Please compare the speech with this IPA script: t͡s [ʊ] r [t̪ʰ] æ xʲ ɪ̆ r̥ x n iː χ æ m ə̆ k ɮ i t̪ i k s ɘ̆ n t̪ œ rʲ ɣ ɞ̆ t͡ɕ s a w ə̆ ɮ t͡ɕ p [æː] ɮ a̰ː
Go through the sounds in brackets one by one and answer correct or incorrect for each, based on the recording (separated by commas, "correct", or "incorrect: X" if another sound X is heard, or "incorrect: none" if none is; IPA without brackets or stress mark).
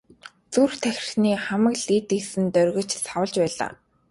incorrect: u, correct, correct